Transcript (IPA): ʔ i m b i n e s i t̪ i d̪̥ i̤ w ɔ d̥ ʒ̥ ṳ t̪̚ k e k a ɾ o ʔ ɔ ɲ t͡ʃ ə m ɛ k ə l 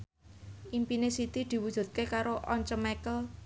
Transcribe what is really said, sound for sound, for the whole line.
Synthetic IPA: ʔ i m p i n e s i t̪ i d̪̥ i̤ w u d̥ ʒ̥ ṳ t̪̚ k e k a ɾ o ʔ ɔ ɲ t͡ʃ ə m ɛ k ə l